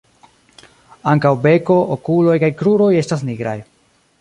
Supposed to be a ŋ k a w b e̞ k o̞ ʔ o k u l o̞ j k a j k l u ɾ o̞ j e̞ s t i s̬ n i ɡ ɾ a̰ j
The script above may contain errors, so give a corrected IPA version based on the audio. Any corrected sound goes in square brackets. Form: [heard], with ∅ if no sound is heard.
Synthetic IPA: a ŋ k a w b e̞ k o̞ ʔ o k u l o̞ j k a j k [ɾ] u ɾ o̞ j e̞ s t [a] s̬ n i ɡ ɾ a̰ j